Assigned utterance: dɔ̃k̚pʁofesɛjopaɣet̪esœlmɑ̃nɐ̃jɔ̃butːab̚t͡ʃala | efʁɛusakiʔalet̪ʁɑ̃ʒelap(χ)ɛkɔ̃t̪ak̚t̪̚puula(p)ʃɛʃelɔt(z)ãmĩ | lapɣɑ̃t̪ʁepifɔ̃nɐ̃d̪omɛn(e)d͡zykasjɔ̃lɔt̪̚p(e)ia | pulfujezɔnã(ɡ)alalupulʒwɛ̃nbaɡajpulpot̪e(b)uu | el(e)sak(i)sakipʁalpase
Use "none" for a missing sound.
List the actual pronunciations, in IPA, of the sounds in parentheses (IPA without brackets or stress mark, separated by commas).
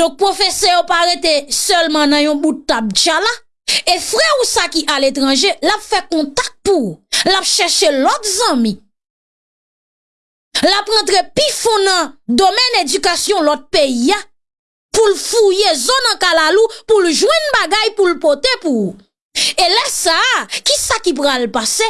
f, p, z, e, e, k, p, ɛ, i